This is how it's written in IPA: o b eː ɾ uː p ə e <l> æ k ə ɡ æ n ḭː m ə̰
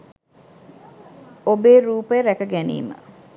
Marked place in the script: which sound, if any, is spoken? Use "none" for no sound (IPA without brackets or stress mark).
ɾ